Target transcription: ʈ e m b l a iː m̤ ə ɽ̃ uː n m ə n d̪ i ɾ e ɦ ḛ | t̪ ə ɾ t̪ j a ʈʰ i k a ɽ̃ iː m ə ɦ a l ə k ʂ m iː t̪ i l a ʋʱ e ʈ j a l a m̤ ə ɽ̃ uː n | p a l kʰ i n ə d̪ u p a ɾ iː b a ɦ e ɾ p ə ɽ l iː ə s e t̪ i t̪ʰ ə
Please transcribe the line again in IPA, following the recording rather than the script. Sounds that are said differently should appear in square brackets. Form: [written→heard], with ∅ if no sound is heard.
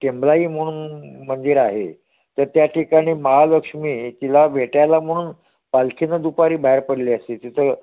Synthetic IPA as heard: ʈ e m b l a iː m̤ ə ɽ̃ uː n m ə n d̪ i ɾ [e→a] ɦ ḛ | t̪ ə ɾ t̪ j a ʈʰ i k a ɽ̃ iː m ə ɦ a l ə k ʂ m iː t̪ i l a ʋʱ e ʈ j a l a m̤ ə ɽ̃ uː n | p a l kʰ i n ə d̪ u p a ɾ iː b a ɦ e ɾ p ə ɽ l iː ə s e t̪ i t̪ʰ ə